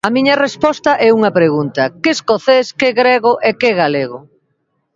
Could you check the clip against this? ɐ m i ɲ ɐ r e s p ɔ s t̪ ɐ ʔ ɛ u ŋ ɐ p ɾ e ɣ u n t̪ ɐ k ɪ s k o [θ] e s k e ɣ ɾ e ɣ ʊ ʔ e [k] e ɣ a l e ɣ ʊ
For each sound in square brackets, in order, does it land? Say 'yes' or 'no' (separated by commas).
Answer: yes, yes